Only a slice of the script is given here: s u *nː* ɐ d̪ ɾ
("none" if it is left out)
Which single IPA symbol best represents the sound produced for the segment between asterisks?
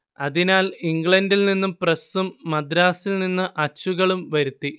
mː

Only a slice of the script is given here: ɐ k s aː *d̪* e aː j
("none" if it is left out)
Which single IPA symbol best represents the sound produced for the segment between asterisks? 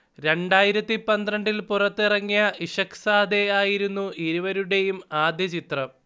d̪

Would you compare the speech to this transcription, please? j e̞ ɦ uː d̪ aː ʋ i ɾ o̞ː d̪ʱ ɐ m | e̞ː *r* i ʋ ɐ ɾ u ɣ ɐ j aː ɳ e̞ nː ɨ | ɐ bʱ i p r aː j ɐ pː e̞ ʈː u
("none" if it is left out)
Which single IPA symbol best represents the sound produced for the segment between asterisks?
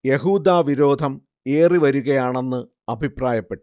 r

